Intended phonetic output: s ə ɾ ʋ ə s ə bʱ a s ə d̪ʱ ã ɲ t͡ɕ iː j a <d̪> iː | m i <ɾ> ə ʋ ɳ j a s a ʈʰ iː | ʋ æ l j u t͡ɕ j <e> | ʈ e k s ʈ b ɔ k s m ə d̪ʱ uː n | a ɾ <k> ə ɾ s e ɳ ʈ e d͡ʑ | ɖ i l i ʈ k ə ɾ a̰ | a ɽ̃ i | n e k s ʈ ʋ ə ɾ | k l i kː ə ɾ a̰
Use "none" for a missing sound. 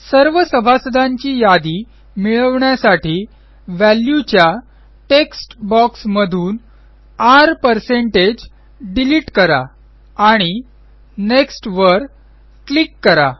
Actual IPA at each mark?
d̪, ɭ, a, p

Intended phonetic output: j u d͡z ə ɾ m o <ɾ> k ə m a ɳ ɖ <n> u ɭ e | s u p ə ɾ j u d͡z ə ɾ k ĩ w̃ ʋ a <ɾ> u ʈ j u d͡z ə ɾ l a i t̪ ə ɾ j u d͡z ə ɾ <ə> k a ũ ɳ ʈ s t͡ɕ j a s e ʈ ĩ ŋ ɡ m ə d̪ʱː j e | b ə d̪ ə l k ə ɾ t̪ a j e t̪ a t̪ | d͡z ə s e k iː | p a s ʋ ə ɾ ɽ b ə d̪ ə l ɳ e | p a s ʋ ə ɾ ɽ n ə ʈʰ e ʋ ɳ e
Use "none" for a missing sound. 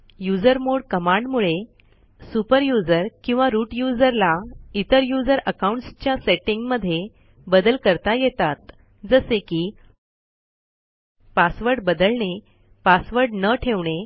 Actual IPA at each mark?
ɽ, m, ɾ, ə

